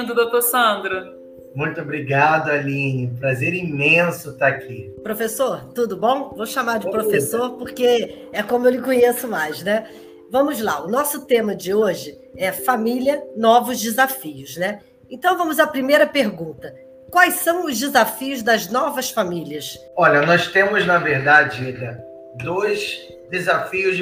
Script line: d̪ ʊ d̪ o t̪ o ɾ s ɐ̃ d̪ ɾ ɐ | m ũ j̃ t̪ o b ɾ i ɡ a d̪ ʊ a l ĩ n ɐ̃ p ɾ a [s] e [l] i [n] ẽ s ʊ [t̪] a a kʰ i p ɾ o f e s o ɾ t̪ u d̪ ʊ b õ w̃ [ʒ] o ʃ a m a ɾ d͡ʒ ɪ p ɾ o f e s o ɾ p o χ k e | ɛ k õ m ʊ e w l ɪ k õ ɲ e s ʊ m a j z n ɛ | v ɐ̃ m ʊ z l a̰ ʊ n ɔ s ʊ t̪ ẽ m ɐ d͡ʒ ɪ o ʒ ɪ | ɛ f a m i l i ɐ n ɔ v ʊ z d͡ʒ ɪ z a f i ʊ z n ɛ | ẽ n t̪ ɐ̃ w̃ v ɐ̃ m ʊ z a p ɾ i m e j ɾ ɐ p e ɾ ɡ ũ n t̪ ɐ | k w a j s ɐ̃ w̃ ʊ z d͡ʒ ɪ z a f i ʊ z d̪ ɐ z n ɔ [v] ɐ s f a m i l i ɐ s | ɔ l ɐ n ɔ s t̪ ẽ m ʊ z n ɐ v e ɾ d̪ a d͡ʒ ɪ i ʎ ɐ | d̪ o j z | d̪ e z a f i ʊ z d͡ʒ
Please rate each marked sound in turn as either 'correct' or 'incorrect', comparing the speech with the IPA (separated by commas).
incorrect, incorrect, incorrect, correct, incorrect, correct